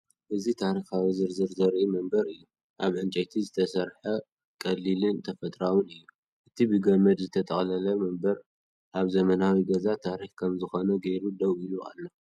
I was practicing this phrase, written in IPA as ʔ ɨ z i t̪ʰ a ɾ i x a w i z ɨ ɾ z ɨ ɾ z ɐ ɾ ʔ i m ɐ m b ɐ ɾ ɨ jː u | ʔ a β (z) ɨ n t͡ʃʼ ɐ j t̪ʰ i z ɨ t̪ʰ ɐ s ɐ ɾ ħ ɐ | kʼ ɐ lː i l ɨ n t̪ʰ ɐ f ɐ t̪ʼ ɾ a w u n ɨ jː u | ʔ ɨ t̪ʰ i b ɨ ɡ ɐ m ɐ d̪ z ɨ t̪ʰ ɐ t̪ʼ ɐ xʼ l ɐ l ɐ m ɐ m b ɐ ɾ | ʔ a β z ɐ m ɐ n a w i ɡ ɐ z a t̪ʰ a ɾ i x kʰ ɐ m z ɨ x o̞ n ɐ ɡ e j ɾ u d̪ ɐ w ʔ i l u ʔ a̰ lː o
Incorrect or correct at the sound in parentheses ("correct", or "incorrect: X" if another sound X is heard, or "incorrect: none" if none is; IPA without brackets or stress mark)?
incorrect: ʕ